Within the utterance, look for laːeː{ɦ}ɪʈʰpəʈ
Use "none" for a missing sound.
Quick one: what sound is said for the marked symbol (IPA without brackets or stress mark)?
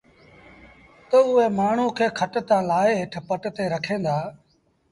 ɦ